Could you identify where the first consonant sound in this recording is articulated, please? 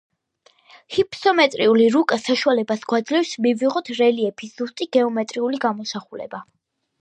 glottal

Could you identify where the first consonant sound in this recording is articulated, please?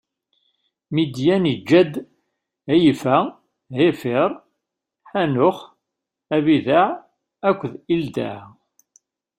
labial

